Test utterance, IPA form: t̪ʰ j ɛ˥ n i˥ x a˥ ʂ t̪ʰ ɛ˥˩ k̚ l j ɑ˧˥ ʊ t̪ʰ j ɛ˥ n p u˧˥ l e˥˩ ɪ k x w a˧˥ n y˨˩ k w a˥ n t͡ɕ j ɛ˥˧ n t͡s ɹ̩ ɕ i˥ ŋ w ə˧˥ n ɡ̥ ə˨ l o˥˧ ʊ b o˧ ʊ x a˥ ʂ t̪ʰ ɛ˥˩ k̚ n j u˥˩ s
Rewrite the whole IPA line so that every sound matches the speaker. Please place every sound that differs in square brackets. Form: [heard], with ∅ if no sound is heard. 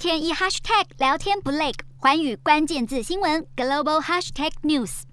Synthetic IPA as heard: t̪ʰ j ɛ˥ n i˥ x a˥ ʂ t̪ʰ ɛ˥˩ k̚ l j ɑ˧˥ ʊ t̪ʰ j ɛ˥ n p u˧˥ l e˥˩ ɪ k x w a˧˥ n y˨˩ k w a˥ n t͡ɕ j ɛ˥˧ n t͡s ɹ̩ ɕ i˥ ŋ w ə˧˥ n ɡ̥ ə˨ l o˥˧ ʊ b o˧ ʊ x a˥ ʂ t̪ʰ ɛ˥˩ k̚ n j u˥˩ s